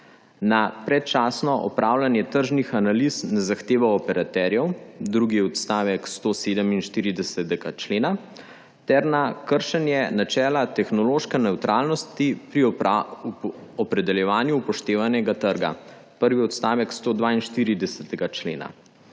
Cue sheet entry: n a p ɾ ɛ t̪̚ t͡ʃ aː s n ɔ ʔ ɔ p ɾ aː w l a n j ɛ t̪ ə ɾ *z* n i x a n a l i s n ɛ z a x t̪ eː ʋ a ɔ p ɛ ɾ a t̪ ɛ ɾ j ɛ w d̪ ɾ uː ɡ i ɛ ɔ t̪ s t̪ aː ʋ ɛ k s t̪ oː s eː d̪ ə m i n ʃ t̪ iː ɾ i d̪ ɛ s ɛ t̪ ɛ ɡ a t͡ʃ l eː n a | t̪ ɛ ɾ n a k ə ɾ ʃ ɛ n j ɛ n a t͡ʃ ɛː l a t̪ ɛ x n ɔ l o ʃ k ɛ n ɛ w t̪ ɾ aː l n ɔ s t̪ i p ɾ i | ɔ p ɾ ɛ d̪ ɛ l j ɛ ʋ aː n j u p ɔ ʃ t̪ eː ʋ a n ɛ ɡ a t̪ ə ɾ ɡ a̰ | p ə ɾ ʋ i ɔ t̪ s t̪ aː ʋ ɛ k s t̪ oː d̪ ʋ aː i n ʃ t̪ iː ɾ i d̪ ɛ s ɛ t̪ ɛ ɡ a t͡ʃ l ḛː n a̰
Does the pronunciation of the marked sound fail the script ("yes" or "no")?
yes